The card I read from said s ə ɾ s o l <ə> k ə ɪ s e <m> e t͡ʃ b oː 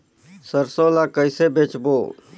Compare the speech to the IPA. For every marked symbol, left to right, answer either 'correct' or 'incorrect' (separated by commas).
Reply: incorrect, incorrect